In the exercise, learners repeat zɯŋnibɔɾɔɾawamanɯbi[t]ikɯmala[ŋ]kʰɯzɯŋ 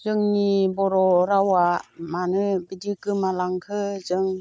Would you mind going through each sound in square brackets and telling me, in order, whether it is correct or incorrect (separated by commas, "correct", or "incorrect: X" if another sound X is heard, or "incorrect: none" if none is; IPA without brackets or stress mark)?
incorrect: d, correct